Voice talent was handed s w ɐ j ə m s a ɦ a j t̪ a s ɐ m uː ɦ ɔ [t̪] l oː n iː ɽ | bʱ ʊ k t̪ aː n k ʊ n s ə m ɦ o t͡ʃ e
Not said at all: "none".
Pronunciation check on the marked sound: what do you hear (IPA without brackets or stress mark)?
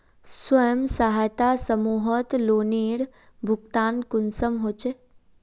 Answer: t̪